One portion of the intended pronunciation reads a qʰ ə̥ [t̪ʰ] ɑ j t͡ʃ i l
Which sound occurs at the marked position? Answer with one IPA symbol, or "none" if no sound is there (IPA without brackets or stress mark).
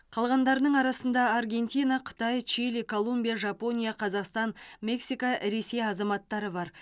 t̪